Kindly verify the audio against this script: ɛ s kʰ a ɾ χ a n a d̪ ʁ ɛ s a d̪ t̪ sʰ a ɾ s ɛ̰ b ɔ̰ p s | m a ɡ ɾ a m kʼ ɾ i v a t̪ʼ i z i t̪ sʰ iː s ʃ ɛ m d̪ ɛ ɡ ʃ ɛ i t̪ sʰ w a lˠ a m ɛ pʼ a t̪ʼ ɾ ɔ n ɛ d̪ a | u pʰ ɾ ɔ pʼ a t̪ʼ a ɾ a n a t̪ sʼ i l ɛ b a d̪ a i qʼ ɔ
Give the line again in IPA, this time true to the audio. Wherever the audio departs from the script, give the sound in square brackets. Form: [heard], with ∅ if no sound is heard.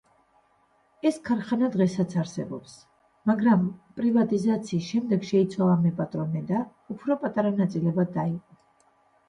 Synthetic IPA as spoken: ɛ s kʰ a ɾ χ a n a d̪ ʁ ɛ s a [∅] t̪ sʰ a ɾ s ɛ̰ b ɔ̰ p s | m a ɡ ɾ a m [pʼ] ɾ i v a t̪ʼ i z [a] t̪ sʰ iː s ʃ ɛ m d̪ ɛ ɡ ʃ ɛ i t̪ sʰ w a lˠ a m ɛ pʼ a t̪ʼ ɾ ɔ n ɛ d̪ a | u pʰ ɾ ɔ pʼ a t̪ʼ a ɾ a n a t̪ sʼ i l ɛ b a d̪ a i qʼ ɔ